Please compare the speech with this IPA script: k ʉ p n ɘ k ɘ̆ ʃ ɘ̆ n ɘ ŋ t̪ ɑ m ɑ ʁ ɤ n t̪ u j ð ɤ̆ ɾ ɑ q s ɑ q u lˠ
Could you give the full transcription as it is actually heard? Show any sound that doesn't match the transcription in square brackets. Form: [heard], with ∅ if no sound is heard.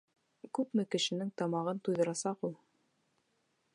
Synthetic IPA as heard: k ʉ p [m] ɘ k ɘ̆ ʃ ɘ̆ n ɘ ŋ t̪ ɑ m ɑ ʁ ɤ n t̪ u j ð ɤ̆ ɾ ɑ [∅] s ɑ q u lˠ